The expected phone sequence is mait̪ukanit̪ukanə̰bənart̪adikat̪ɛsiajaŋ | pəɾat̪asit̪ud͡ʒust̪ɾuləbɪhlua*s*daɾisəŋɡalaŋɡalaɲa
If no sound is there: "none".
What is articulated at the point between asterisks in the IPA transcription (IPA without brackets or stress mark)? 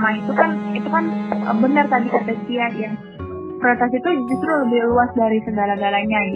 s